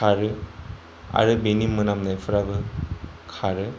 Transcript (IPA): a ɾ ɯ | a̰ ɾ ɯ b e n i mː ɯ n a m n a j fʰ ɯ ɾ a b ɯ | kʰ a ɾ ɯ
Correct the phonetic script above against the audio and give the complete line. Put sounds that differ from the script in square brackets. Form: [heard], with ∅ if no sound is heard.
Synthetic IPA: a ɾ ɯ | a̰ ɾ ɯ b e n i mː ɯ n a m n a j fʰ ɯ ɾ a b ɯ | kʰ a ɾ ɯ